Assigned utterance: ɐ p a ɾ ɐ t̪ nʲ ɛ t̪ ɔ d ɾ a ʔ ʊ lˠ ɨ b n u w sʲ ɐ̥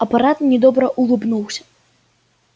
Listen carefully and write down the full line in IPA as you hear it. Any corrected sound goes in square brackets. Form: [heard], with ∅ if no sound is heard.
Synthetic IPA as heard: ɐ p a ɾ [a] t̪ nʲ ɛ [d̪] ɔ [b] ɾ [ɐ] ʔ [u] lˠ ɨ b n u w sʲ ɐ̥